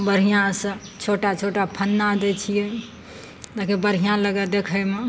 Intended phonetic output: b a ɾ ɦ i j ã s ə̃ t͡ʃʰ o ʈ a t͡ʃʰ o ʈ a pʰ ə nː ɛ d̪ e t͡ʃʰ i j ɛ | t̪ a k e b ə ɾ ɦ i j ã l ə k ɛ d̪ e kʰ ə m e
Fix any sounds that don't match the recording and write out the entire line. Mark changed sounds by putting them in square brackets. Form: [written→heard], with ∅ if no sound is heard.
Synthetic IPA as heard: b [a→ə] ɾ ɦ i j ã s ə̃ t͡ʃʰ o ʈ a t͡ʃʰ o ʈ a pʰ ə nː [ɛ→a] d̪ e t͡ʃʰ i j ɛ | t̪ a k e b ə ɾ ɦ i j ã l ə [k→ɡ] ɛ d̪ e kʰ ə m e